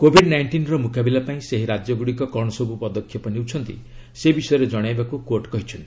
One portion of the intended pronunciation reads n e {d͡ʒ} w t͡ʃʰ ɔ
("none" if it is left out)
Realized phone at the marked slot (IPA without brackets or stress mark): none